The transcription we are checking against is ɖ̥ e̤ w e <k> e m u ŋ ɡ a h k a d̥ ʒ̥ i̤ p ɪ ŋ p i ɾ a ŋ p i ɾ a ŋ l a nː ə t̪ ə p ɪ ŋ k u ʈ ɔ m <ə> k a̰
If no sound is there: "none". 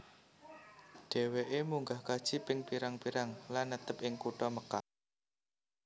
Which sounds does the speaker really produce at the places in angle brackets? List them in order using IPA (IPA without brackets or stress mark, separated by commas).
ʔ, ə